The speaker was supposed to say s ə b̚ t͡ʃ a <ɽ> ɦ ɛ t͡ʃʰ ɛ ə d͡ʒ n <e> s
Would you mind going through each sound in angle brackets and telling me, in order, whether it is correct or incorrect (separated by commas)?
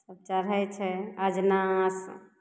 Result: incorrect, incorrect